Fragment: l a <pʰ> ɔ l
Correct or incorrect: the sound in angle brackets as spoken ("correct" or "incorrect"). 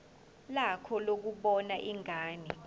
incorrect